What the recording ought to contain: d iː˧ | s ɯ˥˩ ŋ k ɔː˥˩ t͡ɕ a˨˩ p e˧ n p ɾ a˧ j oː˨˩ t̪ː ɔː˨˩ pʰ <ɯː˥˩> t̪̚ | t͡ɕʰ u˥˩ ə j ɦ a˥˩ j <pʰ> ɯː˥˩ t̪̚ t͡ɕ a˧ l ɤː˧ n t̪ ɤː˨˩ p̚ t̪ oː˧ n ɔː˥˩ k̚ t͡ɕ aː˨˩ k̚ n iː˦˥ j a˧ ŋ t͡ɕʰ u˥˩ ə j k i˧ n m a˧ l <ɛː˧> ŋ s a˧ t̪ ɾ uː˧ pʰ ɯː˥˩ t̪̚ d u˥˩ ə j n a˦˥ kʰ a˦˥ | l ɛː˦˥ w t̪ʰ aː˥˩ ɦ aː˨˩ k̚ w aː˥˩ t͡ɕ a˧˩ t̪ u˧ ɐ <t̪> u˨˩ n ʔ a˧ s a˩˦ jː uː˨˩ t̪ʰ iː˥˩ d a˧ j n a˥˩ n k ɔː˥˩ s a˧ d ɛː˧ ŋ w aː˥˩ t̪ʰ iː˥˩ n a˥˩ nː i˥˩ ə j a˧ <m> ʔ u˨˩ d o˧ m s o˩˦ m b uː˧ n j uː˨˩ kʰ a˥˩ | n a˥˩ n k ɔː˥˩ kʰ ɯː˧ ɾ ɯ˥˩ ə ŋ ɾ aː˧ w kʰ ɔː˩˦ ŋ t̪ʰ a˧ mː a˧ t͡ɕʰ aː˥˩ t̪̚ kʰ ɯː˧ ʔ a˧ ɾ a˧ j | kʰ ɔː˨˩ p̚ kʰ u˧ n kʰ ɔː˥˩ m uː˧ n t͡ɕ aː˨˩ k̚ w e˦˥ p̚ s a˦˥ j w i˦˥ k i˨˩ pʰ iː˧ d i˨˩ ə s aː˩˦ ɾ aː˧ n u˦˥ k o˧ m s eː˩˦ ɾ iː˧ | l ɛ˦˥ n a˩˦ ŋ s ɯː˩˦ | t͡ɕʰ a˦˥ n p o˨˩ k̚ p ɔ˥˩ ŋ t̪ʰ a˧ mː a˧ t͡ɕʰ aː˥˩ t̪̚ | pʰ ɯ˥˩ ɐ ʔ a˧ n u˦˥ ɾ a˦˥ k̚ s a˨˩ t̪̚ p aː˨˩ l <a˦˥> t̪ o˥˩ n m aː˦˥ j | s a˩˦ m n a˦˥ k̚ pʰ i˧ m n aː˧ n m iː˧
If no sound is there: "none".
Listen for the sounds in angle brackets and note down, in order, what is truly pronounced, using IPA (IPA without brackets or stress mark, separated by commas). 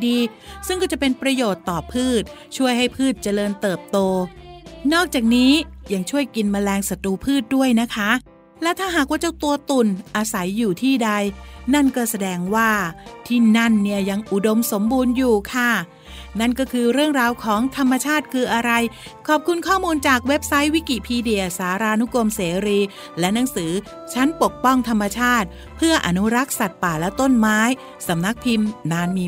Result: ɯː˥˩, pʰ, ɛː˧, t̪, ŋ, ɛ˦˥